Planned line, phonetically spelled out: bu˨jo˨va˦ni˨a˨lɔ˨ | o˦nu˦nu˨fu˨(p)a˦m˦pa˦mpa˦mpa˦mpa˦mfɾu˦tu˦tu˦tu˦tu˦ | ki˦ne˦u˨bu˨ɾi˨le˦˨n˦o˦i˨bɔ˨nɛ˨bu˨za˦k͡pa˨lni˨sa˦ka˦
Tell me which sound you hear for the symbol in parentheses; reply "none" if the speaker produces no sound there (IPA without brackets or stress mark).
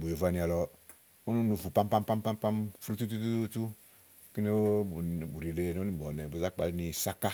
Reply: p